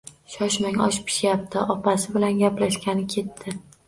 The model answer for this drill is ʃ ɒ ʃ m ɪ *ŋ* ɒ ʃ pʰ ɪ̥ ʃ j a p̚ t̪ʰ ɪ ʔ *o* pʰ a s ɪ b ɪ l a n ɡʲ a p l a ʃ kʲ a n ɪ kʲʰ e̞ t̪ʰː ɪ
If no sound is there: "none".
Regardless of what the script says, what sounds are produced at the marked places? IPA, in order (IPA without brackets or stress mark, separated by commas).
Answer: ŋ, ɒ